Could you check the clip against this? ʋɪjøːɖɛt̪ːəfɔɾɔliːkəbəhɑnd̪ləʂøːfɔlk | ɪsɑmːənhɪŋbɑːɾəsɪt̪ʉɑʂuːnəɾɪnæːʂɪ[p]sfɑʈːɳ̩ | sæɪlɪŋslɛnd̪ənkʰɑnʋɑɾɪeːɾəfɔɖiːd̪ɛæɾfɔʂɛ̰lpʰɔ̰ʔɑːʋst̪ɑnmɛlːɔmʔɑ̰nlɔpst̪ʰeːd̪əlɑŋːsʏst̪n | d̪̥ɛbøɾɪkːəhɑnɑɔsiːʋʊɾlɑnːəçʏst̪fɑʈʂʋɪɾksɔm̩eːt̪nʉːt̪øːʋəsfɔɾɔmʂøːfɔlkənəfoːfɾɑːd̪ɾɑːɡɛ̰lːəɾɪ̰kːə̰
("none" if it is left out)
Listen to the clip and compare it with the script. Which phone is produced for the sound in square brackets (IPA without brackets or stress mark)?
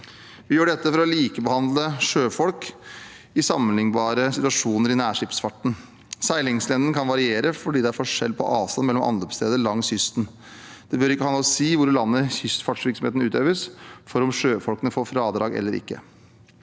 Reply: p